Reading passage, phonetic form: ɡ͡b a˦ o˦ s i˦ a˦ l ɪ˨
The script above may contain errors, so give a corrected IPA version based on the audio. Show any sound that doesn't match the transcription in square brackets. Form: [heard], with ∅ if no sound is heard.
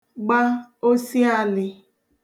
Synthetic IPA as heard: ɡ͡b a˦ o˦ s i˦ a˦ l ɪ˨

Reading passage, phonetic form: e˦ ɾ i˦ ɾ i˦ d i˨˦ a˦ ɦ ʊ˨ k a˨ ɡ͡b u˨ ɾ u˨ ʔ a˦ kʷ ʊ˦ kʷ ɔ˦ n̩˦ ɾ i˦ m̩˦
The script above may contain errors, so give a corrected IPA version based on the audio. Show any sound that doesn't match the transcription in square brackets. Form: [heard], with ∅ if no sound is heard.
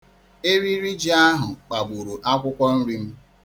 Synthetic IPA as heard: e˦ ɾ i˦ ɾ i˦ [d͡ʒ] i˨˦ a˦ ɦ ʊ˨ [k͡p] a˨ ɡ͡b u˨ ɾ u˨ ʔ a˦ kʷ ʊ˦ kʷ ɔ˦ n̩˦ ɾ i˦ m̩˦

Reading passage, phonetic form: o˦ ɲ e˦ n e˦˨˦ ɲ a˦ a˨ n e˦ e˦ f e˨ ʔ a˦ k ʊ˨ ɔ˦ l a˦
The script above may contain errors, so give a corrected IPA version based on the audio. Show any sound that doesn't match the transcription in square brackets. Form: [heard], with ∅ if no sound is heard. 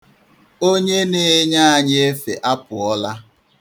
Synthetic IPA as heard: o˦ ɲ e˦ n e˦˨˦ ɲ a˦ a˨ [ɲ] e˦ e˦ f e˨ ʔ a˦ [p] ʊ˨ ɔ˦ l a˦

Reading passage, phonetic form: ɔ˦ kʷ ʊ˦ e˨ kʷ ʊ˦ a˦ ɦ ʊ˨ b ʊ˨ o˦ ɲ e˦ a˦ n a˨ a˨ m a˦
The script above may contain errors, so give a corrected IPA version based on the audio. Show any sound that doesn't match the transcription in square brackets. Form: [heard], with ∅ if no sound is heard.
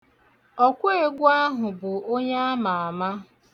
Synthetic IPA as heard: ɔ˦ kʷ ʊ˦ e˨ [ɡʷ] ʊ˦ a˦ ɦ ʊ˨ b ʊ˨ o˦ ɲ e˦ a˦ [m] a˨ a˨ m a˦

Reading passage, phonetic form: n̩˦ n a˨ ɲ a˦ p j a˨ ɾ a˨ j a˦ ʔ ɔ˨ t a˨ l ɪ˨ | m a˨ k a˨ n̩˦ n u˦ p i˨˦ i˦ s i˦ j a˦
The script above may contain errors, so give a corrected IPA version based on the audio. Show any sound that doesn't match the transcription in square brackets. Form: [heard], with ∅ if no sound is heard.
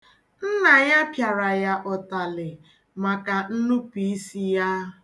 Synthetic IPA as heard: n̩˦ n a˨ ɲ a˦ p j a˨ ɾ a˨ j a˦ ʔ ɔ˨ t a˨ l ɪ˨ | m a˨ k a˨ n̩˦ n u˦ p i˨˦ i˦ s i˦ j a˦

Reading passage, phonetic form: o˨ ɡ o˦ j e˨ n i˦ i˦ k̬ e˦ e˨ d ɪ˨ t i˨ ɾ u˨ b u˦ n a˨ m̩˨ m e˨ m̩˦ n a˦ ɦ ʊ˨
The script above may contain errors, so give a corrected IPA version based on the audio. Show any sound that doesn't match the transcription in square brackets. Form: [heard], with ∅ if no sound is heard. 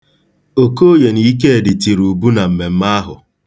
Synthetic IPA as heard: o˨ [k] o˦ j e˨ n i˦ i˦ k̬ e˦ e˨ d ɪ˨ t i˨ ɾ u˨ b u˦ n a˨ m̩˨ m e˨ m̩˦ [m] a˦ ɦ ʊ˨

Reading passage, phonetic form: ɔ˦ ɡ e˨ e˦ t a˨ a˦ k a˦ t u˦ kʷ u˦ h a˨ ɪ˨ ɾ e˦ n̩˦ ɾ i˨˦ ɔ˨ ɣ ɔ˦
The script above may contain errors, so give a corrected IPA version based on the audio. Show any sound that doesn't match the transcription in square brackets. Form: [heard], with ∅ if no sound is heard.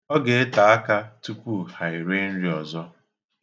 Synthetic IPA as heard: ɔ˦ ɡ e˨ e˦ t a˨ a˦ k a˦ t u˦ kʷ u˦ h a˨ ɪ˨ ɾ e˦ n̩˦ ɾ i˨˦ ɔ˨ [z] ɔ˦

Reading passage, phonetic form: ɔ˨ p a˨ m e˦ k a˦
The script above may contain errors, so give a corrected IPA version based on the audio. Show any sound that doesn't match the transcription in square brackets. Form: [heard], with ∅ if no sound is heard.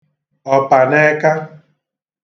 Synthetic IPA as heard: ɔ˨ p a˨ [n] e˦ k a˦

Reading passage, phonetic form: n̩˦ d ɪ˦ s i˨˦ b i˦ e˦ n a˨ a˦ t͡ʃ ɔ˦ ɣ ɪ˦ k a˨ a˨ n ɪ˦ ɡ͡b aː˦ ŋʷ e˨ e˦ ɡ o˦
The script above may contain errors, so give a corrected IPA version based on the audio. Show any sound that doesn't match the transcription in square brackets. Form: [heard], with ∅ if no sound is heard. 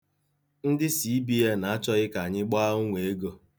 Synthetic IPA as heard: n̩˦ d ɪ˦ s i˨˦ b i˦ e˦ n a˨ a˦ t͡ʃ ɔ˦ ɣ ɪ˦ k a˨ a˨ [ɲ] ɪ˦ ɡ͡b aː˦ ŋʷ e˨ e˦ ɡ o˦

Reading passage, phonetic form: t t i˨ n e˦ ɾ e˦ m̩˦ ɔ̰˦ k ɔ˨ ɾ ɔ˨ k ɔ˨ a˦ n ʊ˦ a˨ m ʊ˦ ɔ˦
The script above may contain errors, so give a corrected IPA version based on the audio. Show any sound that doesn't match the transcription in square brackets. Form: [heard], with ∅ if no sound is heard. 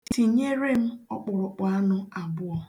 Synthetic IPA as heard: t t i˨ [ɲ] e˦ ɾ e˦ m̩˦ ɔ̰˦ [k͡p] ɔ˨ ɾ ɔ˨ [k͡p] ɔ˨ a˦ n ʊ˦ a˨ [b] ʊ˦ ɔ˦

